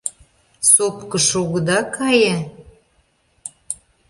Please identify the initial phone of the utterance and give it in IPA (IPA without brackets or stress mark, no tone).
s